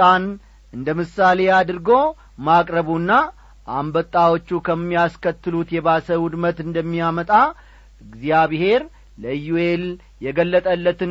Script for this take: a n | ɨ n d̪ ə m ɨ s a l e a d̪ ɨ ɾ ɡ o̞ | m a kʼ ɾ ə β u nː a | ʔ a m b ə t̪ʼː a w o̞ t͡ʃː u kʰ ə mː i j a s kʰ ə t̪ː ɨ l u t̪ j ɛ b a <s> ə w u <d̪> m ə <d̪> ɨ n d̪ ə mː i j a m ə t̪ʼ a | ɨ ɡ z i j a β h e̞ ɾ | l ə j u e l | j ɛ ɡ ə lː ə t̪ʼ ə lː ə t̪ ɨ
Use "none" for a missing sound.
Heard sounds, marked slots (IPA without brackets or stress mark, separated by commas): s, d̪, t̪